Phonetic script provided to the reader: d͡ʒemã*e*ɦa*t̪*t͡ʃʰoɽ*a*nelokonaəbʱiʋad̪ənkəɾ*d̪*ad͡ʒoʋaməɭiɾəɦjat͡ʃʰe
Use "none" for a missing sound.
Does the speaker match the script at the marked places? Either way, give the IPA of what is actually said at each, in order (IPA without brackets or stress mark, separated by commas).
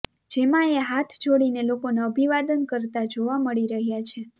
e, t̪ʰ, i, t̪